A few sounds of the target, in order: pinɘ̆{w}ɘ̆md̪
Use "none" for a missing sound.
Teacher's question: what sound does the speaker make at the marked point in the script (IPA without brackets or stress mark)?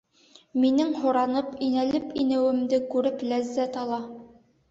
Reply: w